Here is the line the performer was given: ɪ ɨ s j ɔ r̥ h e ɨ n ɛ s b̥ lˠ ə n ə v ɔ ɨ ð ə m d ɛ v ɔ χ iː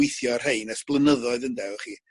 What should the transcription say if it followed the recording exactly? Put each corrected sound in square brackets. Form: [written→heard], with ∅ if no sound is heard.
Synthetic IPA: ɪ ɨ [s→θ] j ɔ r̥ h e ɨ n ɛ s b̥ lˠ ə n ə [v→ð] ɔ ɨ ð ə [m→n] d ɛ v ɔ χ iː